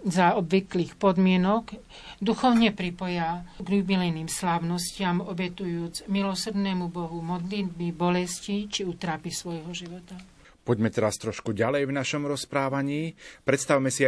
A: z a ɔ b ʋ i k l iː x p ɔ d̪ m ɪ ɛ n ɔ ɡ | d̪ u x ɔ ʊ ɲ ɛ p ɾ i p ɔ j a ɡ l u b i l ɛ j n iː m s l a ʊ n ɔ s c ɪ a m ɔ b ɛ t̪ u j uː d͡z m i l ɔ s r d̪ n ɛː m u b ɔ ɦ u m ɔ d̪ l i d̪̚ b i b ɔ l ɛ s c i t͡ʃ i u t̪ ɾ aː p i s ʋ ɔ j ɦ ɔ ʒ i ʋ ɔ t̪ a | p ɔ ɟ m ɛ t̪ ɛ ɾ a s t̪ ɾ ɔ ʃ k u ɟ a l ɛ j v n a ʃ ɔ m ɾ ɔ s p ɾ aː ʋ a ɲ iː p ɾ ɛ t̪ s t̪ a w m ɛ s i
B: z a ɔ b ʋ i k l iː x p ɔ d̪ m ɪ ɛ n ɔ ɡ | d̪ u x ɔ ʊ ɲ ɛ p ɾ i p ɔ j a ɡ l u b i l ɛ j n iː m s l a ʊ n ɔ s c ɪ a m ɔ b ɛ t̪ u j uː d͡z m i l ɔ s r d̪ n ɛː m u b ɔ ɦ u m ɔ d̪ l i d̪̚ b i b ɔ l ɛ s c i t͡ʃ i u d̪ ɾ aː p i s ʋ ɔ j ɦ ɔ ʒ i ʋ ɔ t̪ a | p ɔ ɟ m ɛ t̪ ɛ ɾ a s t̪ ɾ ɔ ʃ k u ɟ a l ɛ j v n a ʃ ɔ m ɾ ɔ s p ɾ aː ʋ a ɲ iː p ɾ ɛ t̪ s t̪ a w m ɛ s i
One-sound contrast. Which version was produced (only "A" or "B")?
A